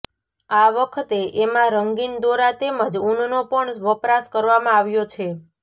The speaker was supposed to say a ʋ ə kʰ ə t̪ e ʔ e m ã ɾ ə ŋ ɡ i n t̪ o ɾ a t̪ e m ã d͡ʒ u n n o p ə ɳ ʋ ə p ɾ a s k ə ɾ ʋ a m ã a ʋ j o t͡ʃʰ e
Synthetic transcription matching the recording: a ʋ ə kʰ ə t̪ e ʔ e m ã ɾ ə ŋ ɡ i n d̪ o ɾ a t̪ e m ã d͡ʒ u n n o p ə ɳ ʋ ə p ɾ a s k ə ɾ ʋ a m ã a ʋ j o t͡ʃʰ e